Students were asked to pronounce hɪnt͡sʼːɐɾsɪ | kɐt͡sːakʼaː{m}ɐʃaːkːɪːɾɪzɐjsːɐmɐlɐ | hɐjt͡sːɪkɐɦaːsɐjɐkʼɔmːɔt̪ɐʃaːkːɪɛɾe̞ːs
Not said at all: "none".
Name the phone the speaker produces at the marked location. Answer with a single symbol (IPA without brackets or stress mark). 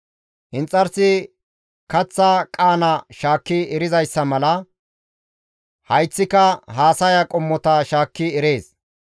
n